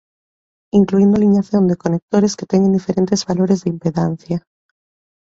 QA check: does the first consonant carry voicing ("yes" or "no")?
yes